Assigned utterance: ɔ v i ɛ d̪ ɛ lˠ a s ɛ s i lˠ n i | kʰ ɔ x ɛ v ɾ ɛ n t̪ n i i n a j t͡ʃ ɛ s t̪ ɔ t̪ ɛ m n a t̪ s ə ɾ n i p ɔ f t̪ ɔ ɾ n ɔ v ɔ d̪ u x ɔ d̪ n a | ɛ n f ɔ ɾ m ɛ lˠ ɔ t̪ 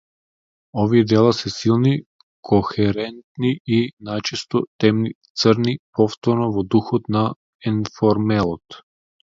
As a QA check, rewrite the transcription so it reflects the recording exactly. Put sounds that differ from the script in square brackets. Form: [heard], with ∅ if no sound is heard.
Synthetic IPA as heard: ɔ v i ɛ d̪ ɛ lˠ a s ɛ s i lˠ n i | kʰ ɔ x ɛ [∅] ɾ ɛ n t̪ n i i n a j t͡ʃ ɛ s t̪ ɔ t̪ ɛ m n [i] t̪ s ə ɾ n i p ɔ f t̪ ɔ ɾ n ɔ v ɔ d̪ u x ɔ [t̪] n a | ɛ n f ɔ ɾ m ɛ lˠ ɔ t̪